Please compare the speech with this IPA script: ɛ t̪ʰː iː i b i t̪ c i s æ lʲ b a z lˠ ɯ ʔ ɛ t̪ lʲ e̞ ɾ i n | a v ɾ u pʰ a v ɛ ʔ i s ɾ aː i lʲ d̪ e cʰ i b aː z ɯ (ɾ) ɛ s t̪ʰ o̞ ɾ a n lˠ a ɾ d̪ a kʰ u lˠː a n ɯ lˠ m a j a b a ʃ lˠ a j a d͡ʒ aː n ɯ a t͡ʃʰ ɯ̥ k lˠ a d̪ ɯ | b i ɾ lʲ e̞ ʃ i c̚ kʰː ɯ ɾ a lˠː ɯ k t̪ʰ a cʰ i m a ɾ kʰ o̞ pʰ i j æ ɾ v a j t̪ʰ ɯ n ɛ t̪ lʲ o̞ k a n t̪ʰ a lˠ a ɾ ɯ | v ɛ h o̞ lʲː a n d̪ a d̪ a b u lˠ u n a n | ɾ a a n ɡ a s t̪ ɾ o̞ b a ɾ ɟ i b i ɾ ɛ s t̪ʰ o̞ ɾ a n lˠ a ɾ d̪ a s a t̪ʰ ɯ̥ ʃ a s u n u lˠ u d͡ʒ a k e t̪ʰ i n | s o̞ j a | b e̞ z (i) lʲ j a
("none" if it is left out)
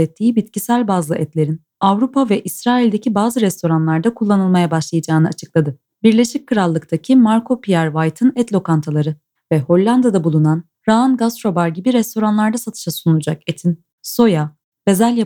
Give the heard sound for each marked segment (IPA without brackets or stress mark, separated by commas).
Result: ɾ, æ